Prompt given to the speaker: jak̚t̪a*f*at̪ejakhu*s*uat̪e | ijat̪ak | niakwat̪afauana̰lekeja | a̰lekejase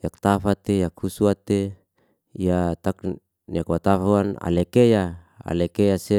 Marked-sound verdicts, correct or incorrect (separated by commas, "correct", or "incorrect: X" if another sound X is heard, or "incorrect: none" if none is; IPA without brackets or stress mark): correct, correct